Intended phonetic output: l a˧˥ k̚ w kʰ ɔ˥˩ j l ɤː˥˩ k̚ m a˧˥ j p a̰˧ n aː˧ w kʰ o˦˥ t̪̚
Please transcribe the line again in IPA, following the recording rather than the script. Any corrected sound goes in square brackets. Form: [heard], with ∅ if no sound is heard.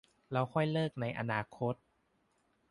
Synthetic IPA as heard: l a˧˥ [∅] w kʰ ɔ˥˩ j l ɤː˥˩ k̚ [n] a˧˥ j [ʔ] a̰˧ n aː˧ [∅] kʰ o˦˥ t̪̚